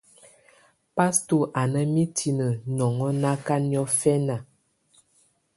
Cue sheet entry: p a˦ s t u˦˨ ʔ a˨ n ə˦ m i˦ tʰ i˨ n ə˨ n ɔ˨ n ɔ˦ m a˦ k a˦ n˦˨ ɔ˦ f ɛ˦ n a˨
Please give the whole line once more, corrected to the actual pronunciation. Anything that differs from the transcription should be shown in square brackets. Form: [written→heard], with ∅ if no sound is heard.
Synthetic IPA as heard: p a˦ s t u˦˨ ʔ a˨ n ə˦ m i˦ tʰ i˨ n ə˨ n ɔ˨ [n→ŋ] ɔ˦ [m→n] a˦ k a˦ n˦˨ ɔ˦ f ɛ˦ n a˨